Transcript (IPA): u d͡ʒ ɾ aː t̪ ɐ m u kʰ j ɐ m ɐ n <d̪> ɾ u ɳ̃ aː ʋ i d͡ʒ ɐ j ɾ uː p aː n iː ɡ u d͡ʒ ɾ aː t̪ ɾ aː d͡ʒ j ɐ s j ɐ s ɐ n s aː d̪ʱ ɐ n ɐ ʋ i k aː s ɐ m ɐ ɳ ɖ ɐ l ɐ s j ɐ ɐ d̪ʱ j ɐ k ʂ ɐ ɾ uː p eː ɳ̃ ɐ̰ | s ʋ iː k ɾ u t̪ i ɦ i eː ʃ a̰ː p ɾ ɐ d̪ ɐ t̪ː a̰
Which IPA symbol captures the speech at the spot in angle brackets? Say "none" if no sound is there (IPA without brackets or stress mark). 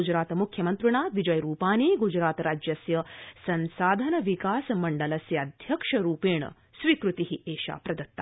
t̪